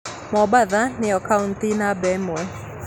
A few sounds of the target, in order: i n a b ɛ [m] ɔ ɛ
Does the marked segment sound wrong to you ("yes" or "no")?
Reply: no